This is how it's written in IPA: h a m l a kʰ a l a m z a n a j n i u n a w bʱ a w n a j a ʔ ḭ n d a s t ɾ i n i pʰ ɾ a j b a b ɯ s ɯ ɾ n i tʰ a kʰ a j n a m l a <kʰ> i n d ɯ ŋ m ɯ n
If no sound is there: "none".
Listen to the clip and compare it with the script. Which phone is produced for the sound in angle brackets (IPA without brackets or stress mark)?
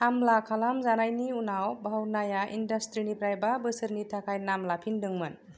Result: pʰ